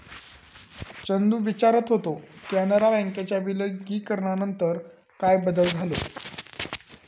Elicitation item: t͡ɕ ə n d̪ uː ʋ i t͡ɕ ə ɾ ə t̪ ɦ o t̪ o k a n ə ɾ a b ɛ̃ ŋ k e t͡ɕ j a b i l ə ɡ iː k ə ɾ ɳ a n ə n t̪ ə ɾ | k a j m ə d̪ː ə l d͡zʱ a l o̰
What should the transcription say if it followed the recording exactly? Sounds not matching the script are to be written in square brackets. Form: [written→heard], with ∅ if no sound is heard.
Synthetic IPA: t͡ɕ ə n d̪ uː ʋ i t͡ɕ [ə→a] ɾ ə t̪ ɦ o t̪ o k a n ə ɾ a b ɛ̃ ŋ k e t͡ɕ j a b i l ə ɡ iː k ə ɾ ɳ a n ə n t̪ ə ɾ | k a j [m→b] ə [d̪ː→d̪] ə l d͡zʱ a l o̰

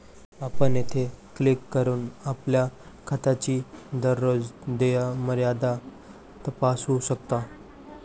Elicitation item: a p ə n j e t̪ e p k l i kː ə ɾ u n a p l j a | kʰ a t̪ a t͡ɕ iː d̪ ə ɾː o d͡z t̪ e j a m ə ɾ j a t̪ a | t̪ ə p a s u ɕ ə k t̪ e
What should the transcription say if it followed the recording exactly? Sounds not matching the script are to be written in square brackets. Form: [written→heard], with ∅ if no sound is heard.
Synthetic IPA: a p ə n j e [t̪→t̪ʰ] e [p→∅] k l i kː ə ɾ [u→uː] n a p l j a | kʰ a t̪ a t͡ɕ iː d̪ ə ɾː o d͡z [t̪→d̪] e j a m ə ɾ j a [t̪→d̪] a | t̪ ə p a s u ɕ ə k t̪ [e→a]

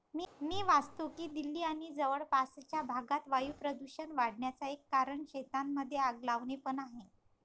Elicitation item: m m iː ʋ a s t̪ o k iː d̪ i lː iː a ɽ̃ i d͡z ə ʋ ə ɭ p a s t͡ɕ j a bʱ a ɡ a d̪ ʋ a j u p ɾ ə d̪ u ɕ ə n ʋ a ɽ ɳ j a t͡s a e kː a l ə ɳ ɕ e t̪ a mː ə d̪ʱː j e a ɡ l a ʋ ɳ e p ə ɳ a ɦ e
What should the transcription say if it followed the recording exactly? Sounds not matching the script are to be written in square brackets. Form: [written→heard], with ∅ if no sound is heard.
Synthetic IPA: m m iː ʋ a s t̪ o k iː d̪ i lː iː a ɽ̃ i d͡z ə ʋ ə ɭ p a s t͡ɕ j a bʱ a ɡ a [d̪→t̪] ʋ a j u p ɾ ə d̪ u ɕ ə n ʋ a ɽ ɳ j a t͡s a e kː a [l→ɾ] ə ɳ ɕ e t̪ a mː ə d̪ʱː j e a ɡ l a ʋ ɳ e p ə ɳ a ɦ e

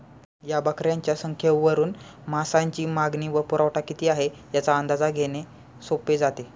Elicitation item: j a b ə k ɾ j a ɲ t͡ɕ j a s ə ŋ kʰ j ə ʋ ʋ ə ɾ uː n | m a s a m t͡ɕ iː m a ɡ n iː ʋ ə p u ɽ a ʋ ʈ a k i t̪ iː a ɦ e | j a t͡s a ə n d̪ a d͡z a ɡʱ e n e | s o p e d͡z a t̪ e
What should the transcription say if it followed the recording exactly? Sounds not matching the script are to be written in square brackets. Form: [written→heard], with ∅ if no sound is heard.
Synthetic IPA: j a b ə k ɾ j a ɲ t͡ɕ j a s ə ŋ kʰ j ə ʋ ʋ ə ɾ uː n | m a s a [m→ɲ] t͡ɕ iː m a ɡ n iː ʋ ə p u [ɽ→ɾ] a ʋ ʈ a k i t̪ iː a ɦ e | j a t͡s a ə n d̪ a d͡z a ɡʱ e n e | s o p e d͡z a t̪ e

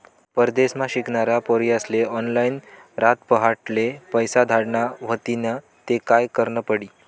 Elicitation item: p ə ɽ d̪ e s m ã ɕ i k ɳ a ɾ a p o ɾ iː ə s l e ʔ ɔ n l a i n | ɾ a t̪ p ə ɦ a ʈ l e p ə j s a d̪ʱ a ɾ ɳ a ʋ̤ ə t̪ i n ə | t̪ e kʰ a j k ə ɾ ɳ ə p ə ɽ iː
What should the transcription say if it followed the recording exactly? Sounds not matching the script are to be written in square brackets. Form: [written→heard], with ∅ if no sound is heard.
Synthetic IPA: p ə [ɽ→ɾ] d̪ e s m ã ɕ i k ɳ a ɾ a p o ɾ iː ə s l e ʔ ɔ n l a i n | ɾ a t̪ p ə ɦ a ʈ l e p ə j s a d̪ʱ a [ɾ→ɽ] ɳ a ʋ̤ ə t̪ i n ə | t̪ e [kʰ→k] a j k ə ɾ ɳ ə p ə ɽ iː

